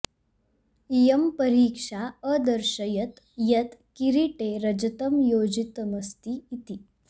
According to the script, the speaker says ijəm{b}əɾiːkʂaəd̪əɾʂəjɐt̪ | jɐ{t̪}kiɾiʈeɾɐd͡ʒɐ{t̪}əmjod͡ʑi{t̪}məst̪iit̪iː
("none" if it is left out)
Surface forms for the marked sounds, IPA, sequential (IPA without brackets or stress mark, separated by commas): p, t̪, t̪, t̪